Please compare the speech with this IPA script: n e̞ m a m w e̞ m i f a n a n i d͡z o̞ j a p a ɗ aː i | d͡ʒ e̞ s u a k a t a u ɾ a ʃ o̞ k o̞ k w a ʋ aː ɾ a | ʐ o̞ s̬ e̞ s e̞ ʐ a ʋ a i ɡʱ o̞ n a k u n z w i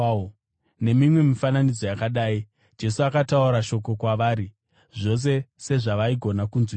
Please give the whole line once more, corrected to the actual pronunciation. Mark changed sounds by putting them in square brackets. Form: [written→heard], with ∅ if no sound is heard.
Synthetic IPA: n e̞ m [a→i] m w e̞ m i f a n a n i d͡z o̞ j a [p→k] a ɗ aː i | d͡ʒ e̞ s u a k a t a u ɾ a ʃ o̞ k o̞ k w a ʋ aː ɾ [a→i] | ʐ o̞ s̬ e̞ s e̞ ʐ a ʋ a i ɡʱ o̞ n a k u n z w i